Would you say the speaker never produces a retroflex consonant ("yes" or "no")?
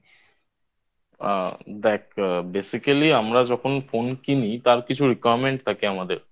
no